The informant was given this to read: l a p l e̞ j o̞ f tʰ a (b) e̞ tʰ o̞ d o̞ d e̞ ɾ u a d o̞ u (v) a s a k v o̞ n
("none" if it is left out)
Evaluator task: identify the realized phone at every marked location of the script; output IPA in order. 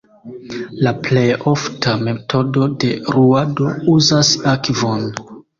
m, z

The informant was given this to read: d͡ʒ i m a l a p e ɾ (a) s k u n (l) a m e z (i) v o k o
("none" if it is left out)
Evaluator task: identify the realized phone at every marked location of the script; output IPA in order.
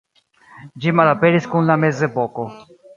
i, l, e

